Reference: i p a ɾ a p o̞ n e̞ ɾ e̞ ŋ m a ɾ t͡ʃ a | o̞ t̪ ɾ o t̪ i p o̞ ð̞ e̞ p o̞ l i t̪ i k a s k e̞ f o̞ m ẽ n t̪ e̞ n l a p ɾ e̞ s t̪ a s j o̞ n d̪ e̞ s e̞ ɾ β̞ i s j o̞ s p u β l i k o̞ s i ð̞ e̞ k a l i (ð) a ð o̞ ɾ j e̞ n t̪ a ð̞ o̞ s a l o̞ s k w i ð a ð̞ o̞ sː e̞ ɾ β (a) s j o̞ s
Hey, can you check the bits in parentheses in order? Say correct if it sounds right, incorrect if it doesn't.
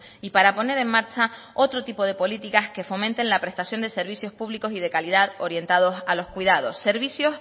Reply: correct, incorrect: i

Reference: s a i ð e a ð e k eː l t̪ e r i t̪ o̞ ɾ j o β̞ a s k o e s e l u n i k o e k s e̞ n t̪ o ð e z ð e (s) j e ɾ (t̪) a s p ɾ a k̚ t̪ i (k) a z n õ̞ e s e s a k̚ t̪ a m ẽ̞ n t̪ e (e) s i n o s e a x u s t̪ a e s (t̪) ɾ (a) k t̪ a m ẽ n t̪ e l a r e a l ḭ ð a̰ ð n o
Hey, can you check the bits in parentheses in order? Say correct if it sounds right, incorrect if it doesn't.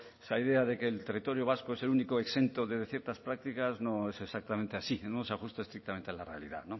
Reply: incorrect: θ, correct, correct, incorrect: a, correct, incorrect: i

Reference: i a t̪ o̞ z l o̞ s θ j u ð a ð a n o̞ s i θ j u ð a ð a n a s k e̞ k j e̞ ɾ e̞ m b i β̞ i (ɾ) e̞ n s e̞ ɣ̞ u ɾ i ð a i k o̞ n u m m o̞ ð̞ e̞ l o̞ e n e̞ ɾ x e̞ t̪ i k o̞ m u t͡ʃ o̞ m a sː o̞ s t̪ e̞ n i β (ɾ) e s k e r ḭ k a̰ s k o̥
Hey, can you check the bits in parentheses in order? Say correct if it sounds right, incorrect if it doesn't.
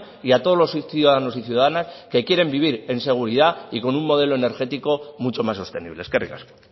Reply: correct, incorrect: l

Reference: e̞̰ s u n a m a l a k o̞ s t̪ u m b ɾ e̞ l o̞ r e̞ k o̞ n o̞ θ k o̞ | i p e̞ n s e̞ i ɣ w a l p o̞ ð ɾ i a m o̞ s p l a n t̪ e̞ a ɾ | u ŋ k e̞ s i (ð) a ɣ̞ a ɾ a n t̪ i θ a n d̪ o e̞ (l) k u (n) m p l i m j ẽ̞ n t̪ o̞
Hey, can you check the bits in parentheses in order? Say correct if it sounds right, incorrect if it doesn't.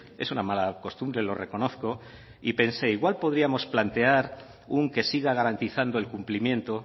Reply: incorrect: ɣ, correct, incorrect: none

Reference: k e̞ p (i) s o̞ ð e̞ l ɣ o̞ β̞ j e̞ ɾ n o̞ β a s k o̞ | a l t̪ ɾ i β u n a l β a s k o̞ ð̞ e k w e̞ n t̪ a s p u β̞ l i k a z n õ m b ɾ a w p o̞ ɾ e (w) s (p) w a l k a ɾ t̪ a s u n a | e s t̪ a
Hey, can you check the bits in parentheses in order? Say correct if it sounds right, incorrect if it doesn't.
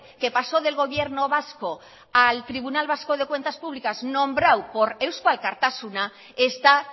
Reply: incorrect: a, correct, incorrect: k

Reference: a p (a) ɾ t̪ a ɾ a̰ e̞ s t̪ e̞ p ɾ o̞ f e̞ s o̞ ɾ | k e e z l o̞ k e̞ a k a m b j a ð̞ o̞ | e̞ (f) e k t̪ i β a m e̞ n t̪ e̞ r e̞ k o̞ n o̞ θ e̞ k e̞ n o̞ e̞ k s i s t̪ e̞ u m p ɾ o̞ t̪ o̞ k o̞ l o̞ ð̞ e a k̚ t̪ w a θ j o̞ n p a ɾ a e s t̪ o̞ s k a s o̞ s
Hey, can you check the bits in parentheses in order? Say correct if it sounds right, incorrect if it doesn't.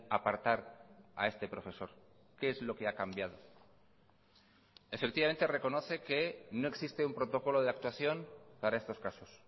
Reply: correct, correct

